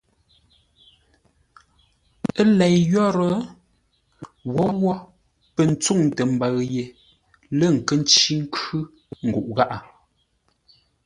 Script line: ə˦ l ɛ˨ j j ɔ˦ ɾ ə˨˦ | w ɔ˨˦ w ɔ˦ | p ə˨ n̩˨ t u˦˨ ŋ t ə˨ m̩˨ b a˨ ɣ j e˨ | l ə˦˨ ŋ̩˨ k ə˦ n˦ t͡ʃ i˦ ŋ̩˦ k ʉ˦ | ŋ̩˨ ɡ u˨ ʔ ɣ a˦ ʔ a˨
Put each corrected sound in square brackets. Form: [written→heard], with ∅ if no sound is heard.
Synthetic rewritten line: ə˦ l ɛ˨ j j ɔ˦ ɾ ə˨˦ | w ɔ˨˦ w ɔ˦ | p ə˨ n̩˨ [t→t͡s] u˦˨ ŋ t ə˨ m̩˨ b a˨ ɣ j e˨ | l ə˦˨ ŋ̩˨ k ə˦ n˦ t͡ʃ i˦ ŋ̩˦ k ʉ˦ | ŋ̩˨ ɡ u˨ ʔ ɣ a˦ ʔ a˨